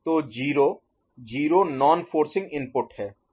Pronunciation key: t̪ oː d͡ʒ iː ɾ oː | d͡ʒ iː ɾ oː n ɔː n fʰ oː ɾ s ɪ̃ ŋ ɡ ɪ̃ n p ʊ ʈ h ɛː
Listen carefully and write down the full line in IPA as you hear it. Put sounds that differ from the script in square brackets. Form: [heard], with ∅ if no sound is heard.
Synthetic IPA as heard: t̪ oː d͡ʒ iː ɾ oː | d͡ʒ iː ɾ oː n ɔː n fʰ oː ɾ s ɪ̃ ŋ ɡ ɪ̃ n p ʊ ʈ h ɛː